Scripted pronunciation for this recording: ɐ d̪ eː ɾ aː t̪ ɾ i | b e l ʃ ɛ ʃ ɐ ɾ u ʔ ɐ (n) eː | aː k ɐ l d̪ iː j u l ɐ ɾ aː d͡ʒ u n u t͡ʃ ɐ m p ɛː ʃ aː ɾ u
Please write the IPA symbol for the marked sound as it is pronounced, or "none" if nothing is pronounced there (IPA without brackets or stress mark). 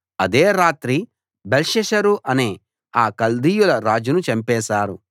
n